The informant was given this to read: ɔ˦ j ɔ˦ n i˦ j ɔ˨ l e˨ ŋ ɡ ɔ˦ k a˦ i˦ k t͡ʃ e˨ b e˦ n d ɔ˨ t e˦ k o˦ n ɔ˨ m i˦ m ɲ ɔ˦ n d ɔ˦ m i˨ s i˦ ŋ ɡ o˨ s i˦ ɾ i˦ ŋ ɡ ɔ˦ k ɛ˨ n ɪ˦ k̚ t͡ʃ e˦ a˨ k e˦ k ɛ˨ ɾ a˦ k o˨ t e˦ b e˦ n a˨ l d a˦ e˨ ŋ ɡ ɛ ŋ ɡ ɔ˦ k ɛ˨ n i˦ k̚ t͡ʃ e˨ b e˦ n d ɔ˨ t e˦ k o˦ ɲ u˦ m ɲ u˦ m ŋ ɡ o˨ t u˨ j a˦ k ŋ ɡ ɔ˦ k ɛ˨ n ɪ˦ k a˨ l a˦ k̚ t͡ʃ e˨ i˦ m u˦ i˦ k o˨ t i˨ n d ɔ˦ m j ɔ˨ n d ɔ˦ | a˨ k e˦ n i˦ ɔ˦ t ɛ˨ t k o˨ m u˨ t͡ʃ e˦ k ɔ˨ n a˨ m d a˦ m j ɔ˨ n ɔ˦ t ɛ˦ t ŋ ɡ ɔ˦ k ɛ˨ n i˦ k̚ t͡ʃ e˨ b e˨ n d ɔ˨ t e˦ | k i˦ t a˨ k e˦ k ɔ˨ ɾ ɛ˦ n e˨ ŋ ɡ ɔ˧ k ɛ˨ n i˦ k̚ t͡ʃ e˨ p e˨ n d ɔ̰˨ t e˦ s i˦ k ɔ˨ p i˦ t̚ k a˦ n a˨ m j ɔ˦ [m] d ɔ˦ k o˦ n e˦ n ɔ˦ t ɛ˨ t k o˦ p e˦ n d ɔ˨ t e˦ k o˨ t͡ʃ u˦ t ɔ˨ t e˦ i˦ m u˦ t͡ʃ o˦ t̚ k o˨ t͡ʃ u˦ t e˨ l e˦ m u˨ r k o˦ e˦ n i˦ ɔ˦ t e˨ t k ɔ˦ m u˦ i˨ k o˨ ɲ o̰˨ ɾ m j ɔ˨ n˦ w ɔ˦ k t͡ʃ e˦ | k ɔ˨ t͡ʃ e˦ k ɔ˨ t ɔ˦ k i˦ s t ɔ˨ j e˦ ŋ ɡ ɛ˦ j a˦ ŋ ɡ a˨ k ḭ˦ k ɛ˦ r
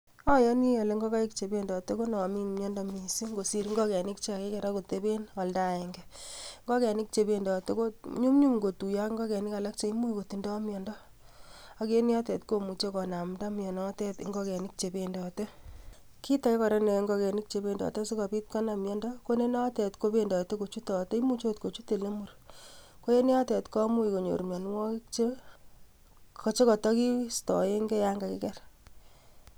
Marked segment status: incorrect: n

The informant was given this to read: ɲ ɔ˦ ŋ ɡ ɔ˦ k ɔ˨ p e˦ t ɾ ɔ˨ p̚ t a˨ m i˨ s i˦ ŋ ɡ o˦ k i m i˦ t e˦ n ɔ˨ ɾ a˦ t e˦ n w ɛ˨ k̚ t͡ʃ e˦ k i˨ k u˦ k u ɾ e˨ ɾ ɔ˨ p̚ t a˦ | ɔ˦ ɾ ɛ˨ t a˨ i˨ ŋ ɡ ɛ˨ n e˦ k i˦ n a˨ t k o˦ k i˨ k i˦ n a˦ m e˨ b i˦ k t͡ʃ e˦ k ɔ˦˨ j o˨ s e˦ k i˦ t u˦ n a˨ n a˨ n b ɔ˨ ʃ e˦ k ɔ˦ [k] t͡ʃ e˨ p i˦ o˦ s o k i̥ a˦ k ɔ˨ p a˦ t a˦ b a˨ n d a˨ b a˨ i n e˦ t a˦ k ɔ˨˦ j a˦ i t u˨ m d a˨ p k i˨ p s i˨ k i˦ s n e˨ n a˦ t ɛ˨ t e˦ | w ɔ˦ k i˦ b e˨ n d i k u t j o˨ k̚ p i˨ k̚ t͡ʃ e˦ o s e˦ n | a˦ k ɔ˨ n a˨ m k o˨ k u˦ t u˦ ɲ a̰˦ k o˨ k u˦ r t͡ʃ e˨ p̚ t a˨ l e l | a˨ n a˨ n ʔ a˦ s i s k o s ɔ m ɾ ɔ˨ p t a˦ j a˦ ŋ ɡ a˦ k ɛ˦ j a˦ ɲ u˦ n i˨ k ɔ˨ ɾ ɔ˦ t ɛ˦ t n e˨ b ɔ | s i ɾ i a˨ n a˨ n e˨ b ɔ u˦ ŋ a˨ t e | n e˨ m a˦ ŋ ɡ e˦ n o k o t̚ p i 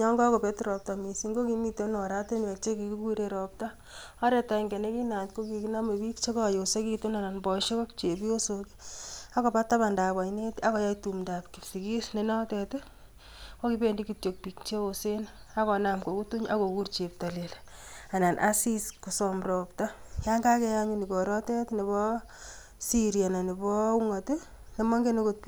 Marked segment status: correct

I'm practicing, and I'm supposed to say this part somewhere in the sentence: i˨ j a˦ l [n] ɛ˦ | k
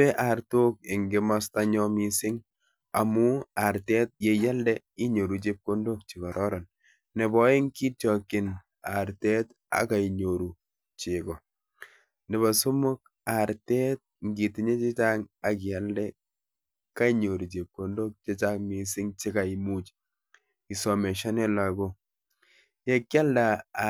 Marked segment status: incorrect: d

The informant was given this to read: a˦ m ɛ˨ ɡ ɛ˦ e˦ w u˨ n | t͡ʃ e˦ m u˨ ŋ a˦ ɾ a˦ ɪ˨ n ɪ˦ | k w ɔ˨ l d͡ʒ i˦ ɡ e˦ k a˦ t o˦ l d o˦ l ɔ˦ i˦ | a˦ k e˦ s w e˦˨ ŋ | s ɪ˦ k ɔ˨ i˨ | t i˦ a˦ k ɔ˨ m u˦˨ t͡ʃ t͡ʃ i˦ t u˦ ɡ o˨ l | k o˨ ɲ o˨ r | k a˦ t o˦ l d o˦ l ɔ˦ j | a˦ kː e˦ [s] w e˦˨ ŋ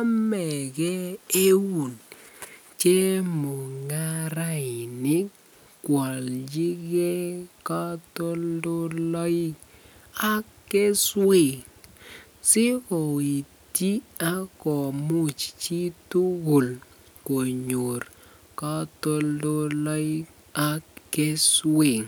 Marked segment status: correct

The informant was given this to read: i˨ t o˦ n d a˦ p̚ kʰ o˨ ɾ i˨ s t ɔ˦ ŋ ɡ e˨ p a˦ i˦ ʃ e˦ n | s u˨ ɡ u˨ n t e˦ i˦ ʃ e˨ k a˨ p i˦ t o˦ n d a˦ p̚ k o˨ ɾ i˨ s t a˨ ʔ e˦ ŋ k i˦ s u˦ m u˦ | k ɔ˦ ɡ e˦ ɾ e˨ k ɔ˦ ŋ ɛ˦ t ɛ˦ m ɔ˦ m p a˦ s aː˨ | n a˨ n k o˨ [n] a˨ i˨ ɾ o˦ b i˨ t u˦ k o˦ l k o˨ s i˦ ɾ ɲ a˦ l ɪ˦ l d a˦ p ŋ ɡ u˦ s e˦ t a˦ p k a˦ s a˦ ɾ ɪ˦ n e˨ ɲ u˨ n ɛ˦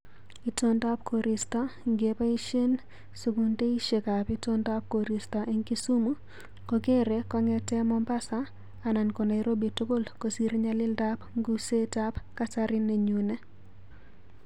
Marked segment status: correct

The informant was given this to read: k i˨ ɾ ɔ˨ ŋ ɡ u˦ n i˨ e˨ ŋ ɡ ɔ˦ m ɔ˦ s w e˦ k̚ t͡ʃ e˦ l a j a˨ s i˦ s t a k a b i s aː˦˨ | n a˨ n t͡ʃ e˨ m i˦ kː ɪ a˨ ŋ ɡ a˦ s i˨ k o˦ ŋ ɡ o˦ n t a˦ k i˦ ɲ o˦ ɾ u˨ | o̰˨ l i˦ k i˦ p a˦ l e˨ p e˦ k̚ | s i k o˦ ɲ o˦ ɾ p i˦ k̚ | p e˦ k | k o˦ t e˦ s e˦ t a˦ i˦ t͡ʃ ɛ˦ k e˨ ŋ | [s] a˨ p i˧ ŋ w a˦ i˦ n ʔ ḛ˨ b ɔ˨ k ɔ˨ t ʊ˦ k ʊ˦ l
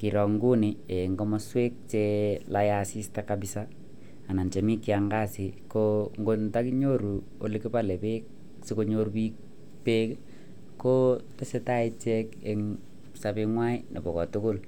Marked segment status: correct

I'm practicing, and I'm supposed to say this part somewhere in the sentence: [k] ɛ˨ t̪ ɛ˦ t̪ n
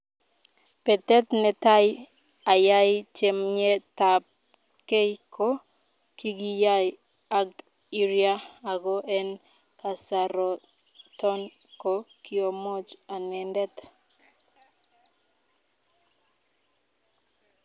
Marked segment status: incorrect: p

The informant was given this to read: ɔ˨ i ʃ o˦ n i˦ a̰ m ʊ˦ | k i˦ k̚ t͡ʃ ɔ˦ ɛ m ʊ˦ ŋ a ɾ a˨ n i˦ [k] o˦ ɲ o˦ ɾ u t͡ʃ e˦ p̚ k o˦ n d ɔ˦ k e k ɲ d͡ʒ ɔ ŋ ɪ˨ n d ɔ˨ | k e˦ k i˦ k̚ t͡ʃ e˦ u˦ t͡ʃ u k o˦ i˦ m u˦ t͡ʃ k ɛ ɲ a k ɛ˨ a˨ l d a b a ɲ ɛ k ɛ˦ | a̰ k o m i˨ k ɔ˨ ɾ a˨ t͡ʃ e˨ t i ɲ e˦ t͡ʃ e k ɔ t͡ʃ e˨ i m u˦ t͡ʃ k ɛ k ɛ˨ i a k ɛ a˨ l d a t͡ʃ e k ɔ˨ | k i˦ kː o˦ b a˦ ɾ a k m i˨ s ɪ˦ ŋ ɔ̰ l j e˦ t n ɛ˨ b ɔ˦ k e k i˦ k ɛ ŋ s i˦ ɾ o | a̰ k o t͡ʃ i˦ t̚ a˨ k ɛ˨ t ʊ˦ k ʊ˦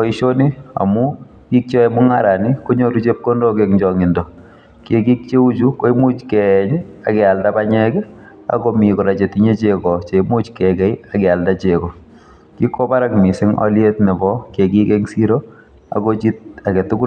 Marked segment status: correct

